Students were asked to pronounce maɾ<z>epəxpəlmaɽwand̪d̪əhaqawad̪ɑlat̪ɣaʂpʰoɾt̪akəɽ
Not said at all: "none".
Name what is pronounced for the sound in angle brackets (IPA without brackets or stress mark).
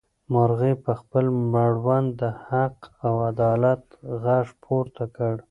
ɣ